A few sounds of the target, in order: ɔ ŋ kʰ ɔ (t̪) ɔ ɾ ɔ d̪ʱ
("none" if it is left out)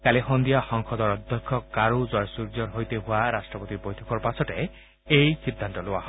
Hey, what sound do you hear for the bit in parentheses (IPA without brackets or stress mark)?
d̪